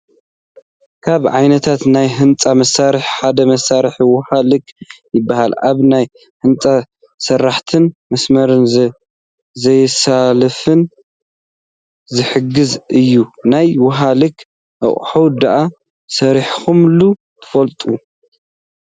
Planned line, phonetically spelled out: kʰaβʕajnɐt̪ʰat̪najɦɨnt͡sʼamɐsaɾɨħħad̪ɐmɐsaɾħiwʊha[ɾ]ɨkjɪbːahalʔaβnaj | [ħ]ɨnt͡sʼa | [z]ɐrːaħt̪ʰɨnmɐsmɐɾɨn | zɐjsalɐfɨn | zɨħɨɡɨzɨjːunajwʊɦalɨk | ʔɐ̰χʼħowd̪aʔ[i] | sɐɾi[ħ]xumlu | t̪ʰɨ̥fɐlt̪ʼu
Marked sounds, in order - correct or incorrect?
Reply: incorrect, incorrect, incorrect, incorrect, correct

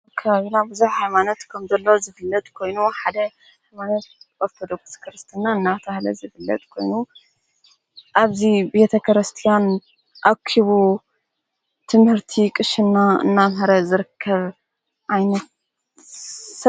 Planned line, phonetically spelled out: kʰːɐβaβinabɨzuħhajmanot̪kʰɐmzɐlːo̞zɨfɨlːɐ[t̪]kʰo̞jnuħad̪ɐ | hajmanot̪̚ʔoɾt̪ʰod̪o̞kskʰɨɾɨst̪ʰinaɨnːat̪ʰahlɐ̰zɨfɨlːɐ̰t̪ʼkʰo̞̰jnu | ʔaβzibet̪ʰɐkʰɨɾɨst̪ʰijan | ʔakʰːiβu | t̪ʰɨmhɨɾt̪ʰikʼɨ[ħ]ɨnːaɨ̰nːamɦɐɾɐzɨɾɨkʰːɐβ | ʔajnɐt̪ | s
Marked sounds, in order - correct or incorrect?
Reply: incorrect, incorrect

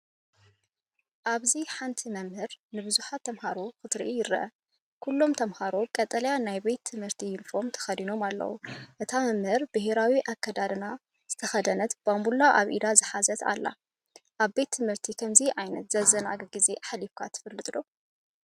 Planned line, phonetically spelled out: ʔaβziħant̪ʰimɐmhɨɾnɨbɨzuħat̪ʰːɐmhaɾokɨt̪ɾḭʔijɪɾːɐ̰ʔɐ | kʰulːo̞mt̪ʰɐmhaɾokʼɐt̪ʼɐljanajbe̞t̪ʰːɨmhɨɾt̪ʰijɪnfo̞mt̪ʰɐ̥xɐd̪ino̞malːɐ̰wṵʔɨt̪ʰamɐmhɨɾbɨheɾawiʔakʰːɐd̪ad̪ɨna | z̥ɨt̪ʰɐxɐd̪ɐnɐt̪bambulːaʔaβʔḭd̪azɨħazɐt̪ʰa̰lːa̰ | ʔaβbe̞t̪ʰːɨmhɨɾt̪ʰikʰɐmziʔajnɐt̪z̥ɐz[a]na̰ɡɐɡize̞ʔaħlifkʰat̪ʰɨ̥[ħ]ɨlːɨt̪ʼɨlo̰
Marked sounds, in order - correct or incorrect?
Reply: incorrect, incorrect

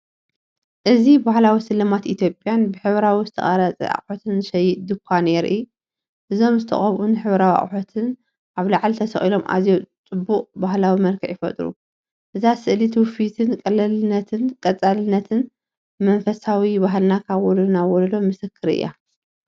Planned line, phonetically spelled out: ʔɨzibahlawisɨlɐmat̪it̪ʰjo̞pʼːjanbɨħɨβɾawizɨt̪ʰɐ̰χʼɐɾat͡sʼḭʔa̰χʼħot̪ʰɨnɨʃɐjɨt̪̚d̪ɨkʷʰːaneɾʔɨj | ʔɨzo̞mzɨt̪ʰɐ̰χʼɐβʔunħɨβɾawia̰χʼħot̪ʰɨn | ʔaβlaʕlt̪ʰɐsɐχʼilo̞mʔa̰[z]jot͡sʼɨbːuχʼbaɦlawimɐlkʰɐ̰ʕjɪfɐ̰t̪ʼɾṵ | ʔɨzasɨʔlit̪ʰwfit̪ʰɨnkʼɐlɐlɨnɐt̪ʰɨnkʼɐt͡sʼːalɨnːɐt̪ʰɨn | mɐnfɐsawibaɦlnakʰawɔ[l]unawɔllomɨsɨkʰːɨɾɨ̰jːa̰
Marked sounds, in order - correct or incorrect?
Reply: correct, correct

